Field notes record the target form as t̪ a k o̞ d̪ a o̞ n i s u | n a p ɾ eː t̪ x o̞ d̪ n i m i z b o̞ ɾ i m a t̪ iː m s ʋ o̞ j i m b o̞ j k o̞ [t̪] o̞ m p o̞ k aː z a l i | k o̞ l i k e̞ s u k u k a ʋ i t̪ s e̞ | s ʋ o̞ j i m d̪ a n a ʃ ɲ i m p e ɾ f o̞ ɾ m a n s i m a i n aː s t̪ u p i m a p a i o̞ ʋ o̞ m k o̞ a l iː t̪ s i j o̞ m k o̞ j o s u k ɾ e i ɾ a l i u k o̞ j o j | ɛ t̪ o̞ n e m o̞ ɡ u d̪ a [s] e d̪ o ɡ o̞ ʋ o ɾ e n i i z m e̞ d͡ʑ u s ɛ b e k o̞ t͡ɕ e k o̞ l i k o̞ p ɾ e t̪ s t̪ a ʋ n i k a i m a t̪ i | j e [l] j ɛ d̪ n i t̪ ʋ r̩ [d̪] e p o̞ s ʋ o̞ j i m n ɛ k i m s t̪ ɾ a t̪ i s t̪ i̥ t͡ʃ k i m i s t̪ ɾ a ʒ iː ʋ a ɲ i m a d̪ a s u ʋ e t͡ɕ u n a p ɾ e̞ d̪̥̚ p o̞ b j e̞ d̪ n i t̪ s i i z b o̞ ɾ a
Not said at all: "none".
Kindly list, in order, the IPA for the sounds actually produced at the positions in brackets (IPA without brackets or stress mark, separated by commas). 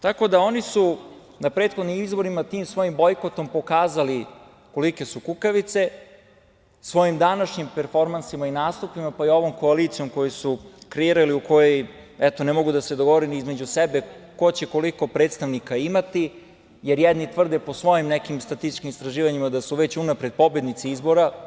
t̪, s, ɾ, d̪